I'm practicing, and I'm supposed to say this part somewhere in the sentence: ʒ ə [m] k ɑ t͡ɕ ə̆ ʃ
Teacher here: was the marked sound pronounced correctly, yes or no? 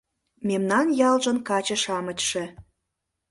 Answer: no